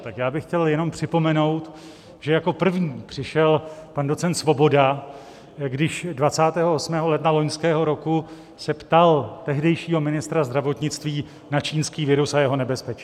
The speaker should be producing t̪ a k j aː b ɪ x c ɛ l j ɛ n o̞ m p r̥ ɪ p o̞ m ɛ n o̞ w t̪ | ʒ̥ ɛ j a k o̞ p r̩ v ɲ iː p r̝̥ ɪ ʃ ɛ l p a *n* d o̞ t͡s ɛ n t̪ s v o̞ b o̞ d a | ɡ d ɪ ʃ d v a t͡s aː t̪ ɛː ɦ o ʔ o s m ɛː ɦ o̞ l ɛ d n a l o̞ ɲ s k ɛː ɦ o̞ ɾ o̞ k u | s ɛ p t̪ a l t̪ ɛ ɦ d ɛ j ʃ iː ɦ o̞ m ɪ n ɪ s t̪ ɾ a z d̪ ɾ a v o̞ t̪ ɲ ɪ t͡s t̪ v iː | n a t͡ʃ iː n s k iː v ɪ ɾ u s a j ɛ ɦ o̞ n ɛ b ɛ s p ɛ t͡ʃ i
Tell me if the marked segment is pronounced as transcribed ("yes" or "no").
yes